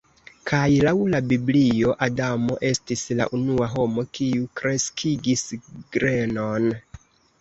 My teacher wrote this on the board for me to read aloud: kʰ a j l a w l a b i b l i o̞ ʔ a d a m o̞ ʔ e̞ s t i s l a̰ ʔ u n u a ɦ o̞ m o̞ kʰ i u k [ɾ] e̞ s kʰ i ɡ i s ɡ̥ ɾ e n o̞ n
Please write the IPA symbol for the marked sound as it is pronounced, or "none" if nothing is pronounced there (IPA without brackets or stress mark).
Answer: ɾ